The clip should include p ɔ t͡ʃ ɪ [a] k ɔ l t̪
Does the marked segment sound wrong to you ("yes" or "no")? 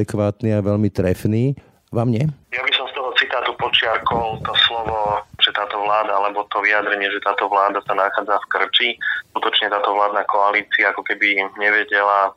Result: no